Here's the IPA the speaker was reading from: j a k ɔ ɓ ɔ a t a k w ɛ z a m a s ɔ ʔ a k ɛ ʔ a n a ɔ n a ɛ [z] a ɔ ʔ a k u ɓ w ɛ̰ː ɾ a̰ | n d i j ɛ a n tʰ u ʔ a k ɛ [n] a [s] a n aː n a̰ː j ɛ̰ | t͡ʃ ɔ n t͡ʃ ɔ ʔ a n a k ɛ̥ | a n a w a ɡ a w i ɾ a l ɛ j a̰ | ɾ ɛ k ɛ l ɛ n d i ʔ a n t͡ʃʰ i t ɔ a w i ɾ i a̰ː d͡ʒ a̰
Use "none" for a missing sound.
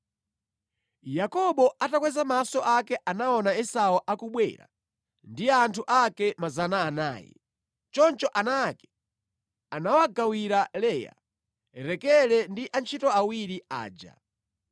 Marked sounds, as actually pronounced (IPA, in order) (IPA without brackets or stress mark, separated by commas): s, m, z